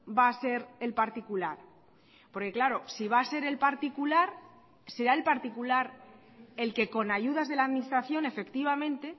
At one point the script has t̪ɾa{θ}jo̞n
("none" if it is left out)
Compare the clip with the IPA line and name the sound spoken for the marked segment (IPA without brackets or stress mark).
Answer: θ